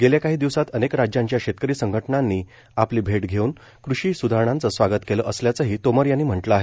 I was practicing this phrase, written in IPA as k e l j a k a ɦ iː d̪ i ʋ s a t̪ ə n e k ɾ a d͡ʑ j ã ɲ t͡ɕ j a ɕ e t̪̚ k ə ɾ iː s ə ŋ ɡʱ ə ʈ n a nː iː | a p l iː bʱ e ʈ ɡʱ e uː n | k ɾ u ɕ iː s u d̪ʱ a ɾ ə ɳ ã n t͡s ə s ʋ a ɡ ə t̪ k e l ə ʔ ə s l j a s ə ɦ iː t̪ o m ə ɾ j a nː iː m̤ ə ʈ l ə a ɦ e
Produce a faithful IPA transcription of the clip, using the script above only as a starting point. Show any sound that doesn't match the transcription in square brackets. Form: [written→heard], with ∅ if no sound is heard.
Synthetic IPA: [k→ɡ] e l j a k a ɦ iː d̪ i ʋ s a t̪ ə n e k ɾ a d͡ʑ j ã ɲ t͡ɕ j a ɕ e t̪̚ k ə ɾ iː s ə ŋ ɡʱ ə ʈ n a nː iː | a p l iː bʱ e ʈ ɡʱ e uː n | k ɾ u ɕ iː s u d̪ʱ a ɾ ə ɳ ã n t͡s ə s ʋ a ɡ ə t̪ k e l ə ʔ ə s l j a [s→t͡s] ə ɦ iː t̪ o m ə ɾ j a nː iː m̤ ə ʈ l ə a ɦ e